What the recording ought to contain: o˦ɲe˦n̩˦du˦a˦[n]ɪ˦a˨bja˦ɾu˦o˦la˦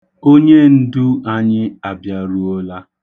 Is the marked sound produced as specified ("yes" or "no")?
no